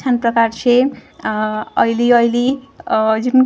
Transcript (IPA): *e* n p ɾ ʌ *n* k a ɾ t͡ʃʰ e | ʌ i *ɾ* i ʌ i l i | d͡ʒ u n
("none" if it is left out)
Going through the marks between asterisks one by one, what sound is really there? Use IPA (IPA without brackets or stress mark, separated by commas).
a, none, l